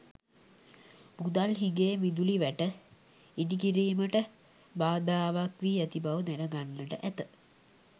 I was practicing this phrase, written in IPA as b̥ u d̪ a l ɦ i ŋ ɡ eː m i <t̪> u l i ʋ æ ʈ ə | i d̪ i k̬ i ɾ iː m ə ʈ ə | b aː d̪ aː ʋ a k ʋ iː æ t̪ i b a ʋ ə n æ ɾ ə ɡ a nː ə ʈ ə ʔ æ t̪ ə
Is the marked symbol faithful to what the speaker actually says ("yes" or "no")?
no